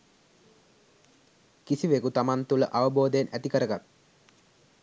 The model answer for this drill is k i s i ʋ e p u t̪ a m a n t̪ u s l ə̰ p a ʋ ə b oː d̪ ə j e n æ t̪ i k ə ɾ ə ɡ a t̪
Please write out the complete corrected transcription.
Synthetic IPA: k i s i ʋ e k u t̪ a m a n t̪ u l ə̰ ʔ a ʋ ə b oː d̪ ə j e n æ t̪ i k ə ɾ ə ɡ a t̪